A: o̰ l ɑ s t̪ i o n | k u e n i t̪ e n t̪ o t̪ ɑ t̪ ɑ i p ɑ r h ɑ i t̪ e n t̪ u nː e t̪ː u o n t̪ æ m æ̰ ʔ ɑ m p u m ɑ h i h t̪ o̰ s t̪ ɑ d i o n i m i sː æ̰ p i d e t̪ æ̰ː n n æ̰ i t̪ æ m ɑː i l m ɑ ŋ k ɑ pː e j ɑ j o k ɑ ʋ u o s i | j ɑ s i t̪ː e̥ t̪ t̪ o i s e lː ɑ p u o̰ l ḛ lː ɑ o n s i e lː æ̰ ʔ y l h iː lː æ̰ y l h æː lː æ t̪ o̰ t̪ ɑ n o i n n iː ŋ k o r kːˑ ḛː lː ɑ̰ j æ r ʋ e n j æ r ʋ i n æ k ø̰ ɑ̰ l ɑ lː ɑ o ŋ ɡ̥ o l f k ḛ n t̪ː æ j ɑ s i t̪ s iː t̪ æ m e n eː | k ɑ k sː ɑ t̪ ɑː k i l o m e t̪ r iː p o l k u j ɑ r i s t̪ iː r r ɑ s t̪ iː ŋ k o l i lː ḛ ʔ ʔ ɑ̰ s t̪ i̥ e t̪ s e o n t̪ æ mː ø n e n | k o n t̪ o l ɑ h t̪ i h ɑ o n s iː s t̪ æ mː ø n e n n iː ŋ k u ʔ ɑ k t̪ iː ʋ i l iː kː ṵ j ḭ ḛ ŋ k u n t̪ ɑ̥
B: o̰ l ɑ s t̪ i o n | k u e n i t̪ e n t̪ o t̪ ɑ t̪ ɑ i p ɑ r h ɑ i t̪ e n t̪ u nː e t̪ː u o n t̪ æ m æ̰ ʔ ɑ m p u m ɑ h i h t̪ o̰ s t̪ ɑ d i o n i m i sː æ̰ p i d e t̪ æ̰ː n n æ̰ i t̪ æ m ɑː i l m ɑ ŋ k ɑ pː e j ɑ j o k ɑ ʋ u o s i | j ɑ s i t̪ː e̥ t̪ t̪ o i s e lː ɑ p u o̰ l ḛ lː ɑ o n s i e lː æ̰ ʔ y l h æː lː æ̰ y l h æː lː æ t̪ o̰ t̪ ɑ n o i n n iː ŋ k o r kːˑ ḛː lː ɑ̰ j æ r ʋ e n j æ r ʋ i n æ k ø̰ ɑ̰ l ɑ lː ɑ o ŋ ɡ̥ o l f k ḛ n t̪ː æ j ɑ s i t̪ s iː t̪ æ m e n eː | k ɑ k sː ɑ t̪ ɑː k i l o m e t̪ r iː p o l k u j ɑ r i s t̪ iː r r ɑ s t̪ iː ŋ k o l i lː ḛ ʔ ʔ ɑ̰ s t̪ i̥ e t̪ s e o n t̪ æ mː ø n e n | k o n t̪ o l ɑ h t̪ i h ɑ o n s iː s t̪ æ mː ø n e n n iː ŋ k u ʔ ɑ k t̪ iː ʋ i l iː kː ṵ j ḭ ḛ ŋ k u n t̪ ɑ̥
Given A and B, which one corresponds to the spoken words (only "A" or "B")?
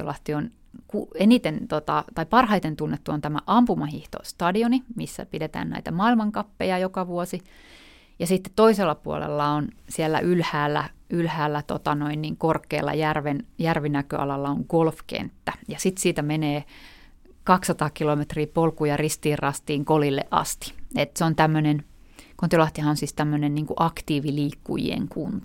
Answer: B